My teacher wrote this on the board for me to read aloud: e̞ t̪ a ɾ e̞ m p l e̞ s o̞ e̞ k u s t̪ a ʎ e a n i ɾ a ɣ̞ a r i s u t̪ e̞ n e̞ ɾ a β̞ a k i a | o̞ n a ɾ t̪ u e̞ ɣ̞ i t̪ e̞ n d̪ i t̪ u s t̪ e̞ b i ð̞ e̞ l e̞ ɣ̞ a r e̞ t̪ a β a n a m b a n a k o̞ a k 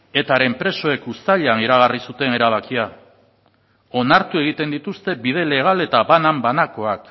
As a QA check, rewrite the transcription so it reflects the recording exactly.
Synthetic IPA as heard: e̞ t̪ a ɾ e̞ m p ɾ e̞ s o̞ e̞ k u s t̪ a ʎ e a n i ɾ a ɣ̞ a r i s u t̪ e̞ n e̞ ɾ a β̞ a k i a | o̞ n a ɾ t̪ u e̞ ɣ̞ i t̪ e̞ n d̪ i t̪ u s t̪ e̞ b i ð̞ e̞ l e̞ ɣ̞ a l e̞ t̪ a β a n a m b a n a k o̞ a k